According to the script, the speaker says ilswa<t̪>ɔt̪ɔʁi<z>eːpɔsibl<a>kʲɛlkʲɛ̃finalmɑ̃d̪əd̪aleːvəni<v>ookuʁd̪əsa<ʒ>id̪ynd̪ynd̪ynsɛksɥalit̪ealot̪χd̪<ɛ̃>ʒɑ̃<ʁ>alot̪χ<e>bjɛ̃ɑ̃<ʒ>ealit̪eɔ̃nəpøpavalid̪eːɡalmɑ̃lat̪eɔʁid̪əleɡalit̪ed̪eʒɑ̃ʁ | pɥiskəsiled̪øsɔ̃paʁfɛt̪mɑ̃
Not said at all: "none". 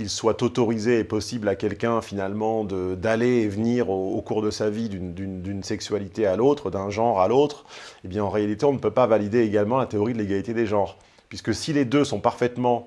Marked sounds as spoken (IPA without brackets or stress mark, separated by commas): t̪, z, a, ʁ, v, ɛ̃, ʁ, e, ʁ